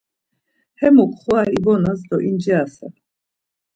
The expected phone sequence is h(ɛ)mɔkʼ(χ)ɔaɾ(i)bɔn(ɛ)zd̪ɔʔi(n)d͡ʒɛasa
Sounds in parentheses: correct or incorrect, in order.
correct, correct, correct, incorrect: a, correct

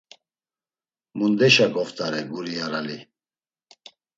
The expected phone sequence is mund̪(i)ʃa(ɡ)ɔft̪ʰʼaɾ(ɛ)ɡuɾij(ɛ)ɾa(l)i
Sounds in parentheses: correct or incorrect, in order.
incorrect: ɛ, correct, correct, incorrect: a, correct

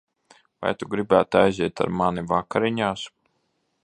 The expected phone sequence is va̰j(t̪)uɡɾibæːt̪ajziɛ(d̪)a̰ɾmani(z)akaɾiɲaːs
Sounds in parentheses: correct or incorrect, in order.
correct, incorrect: t̪, incorrect: v

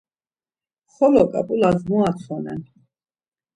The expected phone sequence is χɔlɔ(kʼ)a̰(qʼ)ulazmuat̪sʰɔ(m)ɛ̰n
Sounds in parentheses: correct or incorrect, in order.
correct, incorrect: pʼ, incorrect: n

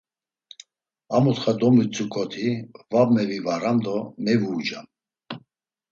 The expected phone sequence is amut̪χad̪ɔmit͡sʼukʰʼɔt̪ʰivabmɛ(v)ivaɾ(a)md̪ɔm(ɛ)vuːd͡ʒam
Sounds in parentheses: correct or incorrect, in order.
correct, correct, correct

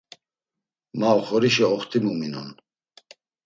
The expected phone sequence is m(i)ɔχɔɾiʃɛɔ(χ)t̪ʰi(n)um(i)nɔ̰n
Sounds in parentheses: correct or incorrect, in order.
incorrect: a, correct, incorrect: m, correct

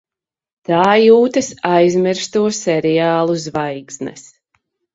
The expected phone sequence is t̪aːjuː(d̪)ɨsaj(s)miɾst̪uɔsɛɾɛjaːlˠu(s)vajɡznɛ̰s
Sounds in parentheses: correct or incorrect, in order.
incorrect: t̪, incorrect: z, incorrect: z

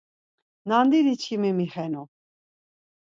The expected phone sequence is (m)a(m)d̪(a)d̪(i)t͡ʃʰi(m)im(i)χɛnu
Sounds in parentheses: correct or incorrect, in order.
incorrect: n, incorrect: n, incorrect: i, correct, correct, correct

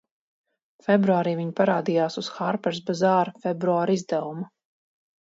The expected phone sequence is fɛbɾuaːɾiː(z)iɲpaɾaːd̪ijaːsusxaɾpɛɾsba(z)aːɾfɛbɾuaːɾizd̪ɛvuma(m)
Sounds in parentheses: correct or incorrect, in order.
incorrect: v, correct, incorrect: none

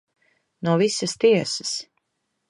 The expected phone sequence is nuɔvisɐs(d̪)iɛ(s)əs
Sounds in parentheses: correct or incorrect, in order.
incorrect: t̪, correct

